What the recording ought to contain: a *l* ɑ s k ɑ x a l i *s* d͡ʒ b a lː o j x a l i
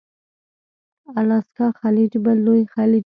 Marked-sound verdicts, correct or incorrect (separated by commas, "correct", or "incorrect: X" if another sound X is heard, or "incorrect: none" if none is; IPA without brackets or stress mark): correct, incorrect: none